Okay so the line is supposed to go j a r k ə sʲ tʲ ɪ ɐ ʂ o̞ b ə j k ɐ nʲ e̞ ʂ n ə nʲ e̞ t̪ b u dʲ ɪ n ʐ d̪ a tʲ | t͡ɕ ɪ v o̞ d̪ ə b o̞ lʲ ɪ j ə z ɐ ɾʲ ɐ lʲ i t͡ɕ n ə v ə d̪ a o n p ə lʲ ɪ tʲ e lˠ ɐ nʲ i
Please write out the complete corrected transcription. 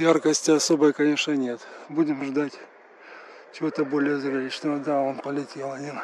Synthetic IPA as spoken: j a r k ə sʲ tʲ ɪ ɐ s o̞ b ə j k ɐ nʲ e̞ ʂ n ə nʲ e̞ t̪ b u dʲ ɪ m ʐ d̪ a tʲ | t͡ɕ ɪ v o̞ t̪ ə b o̞ lʲ ɪ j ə z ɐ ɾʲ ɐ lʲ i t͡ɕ n ə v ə d̪ a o n p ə lʲ ɪ tʲ e lˠ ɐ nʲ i